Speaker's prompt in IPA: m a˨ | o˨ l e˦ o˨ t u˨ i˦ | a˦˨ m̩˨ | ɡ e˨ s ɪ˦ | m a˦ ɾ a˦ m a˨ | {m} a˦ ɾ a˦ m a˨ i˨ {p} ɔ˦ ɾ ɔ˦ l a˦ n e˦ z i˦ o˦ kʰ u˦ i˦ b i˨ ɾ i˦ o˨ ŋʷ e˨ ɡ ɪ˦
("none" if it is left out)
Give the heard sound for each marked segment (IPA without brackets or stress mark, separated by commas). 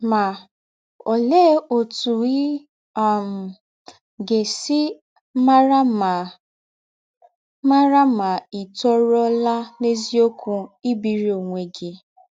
m, t